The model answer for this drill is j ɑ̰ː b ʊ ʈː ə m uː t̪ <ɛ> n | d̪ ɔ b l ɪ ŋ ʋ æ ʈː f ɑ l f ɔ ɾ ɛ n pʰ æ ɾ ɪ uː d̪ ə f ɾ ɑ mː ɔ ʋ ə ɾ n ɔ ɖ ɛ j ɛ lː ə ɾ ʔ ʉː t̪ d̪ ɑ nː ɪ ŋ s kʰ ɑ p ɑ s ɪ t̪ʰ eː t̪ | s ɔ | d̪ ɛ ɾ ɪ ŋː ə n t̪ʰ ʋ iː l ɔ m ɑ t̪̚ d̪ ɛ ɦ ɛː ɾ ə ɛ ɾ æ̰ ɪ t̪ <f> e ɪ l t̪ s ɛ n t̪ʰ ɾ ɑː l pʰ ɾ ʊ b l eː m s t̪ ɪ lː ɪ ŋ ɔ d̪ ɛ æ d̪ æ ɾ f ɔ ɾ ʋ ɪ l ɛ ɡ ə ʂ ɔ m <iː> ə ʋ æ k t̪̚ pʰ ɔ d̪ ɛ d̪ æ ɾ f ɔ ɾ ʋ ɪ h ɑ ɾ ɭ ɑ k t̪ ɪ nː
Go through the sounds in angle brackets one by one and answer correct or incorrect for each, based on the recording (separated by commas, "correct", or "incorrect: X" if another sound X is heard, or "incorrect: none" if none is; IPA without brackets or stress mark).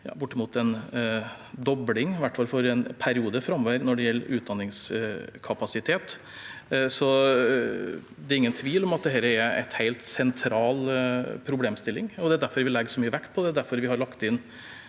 correct, incorrect: h, incorrect: yː